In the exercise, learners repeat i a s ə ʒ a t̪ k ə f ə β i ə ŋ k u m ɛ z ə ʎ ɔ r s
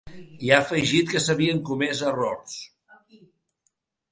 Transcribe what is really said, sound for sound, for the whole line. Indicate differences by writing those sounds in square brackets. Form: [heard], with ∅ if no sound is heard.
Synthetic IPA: i a [f] ə ʒ [i] t̪ k ə [s] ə β i ə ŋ k u m ɛ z ə [r] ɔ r s